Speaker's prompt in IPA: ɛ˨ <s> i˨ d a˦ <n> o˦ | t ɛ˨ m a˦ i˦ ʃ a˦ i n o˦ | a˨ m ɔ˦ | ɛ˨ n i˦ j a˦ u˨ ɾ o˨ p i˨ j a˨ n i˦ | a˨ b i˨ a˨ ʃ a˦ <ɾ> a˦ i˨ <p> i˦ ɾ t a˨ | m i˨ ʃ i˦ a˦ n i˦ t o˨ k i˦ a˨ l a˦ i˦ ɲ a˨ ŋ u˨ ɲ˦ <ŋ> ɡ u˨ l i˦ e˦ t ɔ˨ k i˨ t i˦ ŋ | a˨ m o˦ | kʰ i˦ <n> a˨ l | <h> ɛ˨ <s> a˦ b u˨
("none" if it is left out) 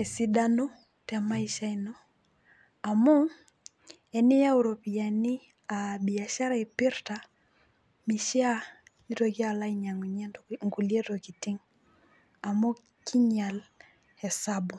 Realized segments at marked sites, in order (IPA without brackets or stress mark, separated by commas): s, n, ɾ, p, ŋ, ɲ, h, s